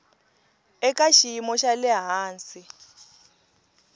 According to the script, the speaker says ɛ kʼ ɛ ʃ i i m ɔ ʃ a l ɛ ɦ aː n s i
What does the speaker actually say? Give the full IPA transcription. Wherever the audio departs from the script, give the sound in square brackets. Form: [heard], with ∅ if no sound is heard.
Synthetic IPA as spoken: ɛ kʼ [a] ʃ i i m ɔ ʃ a l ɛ ɦ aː n s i